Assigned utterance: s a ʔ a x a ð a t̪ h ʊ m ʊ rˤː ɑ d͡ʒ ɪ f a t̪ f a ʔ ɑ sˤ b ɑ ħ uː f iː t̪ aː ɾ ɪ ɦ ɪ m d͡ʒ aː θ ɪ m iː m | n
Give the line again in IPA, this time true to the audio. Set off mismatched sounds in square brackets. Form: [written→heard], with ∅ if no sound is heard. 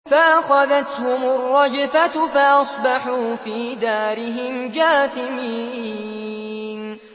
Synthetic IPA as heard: [s→f] a ʔ a x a ð a t̪ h ʊ m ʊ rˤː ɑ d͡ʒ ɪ f a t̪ f a ʔ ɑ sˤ b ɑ ħ uː f iː [t̪→d̪] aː ɾ ɪ ɦ ɪ m d͡ʒ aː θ ɪ m iː [m→∅] | n